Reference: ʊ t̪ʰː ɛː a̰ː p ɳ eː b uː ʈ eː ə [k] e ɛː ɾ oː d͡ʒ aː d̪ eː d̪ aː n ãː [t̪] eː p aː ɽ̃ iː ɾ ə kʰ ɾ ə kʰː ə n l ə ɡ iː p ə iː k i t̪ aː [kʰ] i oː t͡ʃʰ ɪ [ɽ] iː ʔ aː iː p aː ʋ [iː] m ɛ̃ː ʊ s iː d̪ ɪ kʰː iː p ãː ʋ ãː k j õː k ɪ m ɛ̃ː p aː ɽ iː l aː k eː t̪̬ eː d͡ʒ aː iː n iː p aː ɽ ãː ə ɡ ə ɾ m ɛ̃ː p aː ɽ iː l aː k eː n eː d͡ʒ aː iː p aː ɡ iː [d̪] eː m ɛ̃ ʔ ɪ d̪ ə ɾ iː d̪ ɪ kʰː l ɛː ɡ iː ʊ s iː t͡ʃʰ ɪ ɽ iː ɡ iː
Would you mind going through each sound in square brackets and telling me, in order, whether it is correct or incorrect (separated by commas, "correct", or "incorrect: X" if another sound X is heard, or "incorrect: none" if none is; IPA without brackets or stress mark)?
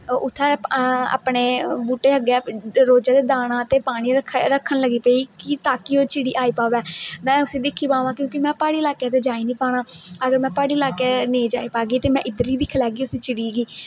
incorrect: ɡ, correct, incorrect: k, correct, incorrect: ɛː, incorrect: t̪